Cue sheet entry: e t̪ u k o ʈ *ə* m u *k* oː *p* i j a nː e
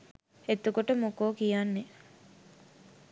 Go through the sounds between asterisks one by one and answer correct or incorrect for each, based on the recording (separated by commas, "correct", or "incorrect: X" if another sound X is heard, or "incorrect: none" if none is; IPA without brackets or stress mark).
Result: correct, correct, incorrect: k